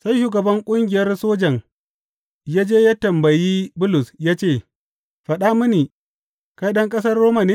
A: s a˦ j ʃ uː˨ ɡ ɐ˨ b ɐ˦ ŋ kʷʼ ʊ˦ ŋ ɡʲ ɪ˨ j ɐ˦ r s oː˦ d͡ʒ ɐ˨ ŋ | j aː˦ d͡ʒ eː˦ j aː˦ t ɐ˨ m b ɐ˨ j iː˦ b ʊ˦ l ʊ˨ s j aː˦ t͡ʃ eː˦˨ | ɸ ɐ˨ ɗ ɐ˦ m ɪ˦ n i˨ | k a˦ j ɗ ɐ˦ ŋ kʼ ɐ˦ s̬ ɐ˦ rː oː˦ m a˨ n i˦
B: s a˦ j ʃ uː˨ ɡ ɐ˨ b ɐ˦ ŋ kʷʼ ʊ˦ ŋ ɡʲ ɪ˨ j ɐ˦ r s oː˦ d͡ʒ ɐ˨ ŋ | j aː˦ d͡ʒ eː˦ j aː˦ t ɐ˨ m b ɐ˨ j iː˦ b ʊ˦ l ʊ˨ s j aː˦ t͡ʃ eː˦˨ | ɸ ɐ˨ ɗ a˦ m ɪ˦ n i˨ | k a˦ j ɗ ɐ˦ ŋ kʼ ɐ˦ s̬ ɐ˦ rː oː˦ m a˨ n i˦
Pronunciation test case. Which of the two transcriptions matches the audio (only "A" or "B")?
B